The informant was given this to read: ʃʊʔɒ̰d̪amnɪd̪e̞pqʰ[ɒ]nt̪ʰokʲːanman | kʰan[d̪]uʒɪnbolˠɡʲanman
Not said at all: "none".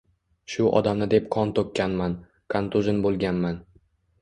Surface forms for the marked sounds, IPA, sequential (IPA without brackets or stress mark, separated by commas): ɒ, t̪